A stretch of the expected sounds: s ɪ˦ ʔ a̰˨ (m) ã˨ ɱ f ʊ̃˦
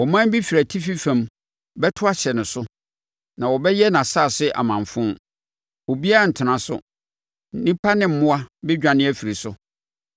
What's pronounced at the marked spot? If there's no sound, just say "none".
m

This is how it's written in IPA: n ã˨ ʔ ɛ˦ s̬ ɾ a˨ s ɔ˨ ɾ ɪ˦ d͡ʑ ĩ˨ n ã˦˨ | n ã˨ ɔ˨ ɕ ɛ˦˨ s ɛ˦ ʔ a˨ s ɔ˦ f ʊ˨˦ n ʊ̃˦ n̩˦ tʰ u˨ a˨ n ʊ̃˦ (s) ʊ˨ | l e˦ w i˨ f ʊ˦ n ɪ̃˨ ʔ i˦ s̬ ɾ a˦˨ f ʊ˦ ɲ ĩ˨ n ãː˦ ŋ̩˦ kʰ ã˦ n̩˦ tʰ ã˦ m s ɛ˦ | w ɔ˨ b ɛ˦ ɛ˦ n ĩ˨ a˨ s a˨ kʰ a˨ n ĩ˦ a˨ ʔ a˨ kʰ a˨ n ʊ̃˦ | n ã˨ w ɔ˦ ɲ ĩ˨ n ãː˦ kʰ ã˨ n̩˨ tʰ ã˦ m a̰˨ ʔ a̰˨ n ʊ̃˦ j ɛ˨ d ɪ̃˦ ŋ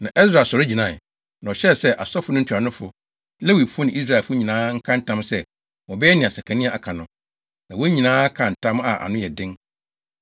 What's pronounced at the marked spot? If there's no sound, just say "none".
f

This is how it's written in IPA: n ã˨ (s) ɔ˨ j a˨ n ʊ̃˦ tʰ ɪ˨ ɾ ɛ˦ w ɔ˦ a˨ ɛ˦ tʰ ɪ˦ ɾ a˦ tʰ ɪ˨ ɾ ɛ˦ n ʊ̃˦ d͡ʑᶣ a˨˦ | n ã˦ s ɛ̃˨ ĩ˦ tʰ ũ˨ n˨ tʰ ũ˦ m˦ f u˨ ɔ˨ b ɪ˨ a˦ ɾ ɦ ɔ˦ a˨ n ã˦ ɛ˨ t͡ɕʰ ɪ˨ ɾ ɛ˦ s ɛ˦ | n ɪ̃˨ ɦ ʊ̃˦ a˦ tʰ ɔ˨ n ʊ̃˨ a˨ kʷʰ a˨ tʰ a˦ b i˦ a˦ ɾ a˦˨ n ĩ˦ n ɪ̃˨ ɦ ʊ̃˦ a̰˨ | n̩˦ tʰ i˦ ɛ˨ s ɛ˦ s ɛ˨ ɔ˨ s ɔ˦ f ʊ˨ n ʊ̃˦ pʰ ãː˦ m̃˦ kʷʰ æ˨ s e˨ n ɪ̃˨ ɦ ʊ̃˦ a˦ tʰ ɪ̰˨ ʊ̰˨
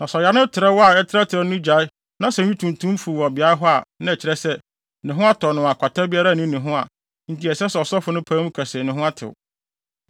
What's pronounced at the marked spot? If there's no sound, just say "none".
s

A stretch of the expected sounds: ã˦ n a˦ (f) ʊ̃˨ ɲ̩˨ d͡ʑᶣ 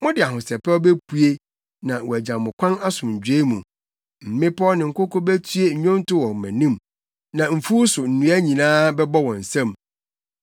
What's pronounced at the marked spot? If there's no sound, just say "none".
s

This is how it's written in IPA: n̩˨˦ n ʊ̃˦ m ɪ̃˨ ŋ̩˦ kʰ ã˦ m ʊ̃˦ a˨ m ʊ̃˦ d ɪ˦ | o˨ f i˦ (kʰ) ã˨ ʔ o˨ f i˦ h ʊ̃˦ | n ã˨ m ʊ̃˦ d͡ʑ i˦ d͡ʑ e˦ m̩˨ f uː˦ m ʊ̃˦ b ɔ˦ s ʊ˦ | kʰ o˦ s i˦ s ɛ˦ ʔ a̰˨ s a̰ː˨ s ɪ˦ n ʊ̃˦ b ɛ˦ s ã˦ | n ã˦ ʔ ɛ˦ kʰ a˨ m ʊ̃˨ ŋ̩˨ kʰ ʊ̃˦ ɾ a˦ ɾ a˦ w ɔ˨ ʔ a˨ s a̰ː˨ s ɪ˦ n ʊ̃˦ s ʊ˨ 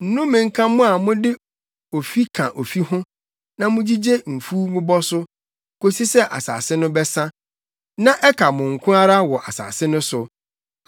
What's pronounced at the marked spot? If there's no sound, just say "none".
kʰ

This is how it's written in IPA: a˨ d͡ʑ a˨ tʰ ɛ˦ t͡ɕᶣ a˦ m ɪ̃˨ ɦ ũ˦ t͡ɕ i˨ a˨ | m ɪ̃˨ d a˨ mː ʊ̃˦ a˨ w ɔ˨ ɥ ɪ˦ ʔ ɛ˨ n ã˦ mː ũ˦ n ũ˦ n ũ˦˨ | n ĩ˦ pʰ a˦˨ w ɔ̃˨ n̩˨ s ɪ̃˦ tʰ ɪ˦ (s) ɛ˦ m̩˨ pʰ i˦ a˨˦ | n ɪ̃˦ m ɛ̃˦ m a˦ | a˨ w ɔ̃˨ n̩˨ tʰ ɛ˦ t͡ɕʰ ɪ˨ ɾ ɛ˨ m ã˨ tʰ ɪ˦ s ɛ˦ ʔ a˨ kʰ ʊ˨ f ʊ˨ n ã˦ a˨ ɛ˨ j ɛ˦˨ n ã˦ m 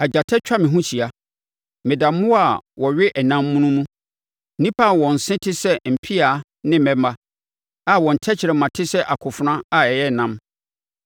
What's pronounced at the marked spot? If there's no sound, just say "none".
s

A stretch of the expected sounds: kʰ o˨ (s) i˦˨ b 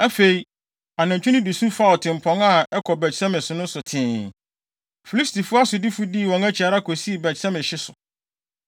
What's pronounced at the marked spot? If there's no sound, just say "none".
s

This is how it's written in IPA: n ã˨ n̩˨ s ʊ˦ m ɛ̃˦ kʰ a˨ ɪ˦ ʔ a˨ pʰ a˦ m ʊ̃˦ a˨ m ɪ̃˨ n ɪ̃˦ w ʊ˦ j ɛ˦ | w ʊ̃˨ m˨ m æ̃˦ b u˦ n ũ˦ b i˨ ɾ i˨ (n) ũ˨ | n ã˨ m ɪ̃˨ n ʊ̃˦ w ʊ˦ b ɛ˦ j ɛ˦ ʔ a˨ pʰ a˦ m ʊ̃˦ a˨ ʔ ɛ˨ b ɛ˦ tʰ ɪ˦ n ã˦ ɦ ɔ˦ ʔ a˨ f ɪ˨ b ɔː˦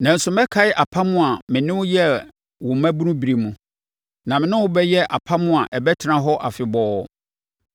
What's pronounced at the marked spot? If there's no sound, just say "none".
m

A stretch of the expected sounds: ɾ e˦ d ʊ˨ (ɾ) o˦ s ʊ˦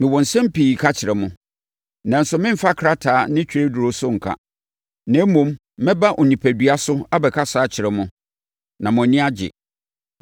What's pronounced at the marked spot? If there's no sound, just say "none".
ɾ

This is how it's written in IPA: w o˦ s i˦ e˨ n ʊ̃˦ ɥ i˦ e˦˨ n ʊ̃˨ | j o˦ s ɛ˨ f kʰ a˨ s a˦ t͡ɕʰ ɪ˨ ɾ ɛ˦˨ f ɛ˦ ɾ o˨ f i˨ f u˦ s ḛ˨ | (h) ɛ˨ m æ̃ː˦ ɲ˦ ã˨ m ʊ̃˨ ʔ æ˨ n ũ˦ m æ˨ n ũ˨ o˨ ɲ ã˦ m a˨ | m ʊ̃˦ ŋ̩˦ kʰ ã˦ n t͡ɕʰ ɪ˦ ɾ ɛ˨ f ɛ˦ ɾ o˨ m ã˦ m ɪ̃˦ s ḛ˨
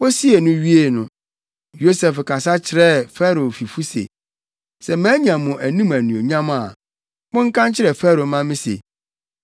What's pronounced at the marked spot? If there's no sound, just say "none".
s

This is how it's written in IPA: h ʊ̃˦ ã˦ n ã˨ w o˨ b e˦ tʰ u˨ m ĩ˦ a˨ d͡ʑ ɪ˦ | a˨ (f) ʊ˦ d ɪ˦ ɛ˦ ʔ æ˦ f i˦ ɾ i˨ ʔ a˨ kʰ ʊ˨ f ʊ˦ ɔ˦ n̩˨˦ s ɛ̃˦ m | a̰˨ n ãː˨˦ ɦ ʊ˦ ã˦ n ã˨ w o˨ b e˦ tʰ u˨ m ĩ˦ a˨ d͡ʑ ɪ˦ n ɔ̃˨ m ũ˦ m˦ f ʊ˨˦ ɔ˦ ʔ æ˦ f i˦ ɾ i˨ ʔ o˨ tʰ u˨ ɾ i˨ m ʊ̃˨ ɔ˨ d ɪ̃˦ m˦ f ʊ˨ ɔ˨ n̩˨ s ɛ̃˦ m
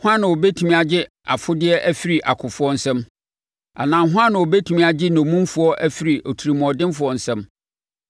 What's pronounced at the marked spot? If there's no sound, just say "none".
f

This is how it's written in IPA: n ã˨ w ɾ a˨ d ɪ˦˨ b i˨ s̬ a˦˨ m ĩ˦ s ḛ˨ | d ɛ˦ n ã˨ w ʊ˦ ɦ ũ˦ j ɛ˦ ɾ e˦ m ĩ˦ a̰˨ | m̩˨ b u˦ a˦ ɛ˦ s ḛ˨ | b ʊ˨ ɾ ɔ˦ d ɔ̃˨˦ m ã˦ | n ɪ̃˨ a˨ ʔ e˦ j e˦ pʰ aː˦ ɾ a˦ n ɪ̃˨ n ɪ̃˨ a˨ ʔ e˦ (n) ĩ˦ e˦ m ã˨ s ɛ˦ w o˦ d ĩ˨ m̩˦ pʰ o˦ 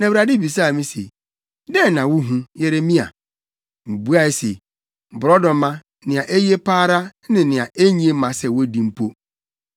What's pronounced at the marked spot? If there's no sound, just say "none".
ɲ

